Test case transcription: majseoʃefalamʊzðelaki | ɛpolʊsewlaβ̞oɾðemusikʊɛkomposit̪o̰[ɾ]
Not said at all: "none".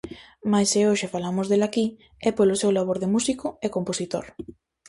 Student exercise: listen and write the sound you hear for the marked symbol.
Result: ɾ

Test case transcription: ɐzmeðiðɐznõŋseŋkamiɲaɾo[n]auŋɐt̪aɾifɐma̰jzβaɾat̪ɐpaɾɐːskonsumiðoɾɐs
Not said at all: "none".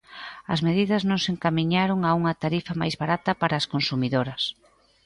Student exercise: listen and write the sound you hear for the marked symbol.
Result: ŋ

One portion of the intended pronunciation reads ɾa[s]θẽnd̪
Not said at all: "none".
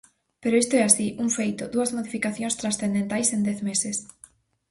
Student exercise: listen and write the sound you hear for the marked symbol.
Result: s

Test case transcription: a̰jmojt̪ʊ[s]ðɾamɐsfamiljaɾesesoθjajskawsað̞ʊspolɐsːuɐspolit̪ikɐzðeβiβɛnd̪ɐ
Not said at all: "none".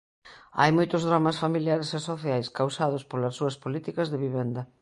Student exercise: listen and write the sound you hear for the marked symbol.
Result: z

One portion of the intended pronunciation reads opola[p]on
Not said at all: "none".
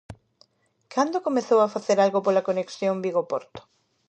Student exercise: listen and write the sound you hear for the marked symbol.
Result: k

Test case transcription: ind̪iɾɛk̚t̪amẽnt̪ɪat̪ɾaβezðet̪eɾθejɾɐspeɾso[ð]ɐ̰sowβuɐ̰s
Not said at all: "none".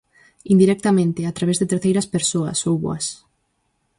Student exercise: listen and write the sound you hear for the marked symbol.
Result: none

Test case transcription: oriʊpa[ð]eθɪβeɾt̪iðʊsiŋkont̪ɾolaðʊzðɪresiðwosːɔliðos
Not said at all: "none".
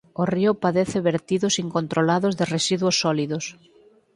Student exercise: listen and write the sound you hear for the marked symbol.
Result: ð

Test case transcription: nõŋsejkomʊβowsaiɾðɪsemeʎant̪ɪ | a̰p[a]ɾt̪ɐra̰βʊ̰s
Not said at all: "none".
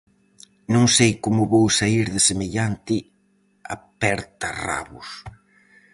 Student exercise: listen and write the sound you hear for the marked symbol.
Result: ɛ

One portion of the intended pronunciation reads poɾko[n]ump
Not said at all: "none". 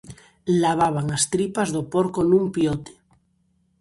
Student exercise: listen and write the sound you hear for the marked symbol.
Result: n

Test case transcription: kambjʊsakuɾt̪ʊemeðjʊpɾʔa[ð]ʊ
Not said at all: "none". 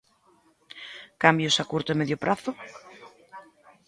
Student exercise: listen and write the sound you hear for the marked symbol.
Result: θ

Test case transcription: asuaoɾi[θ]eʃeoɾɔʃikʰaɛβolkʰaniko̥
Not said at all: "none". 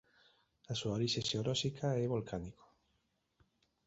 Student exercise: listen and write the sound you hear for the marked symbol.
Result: ʃ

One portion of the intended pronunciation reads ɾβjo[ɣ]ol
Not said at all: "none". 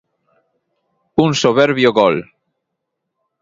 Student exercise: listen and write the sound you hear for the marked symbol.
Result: ɣ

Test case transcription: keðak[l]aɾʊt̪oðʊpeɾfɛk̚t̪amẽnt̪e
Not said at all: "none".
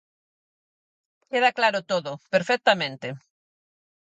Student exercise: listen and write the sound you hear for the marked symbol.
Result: l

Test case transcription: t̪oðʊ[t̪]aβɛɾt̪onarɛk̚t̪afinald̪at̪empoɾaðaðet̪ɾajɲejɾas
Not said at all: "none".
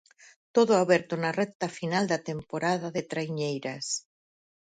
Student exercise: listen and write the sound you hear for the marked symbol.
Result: none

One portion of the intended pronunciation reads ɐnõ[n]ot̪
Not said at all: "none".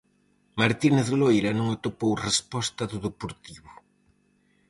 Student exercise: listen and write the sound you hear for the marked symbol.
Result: ŋ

